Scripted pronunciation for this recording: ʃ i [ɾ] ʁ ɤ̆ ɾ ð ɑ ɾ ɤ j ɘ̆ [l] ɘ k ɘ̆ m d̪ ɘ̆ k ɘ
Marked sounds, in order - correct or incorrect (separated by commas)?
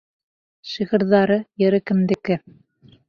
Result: incorrect, incorrect